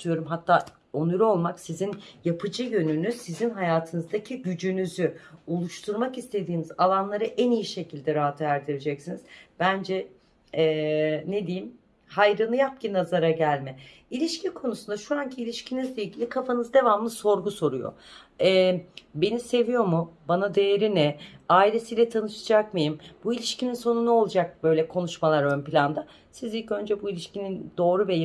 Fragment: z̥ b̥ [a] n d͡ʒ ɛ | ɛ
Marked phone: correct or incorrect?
incorrect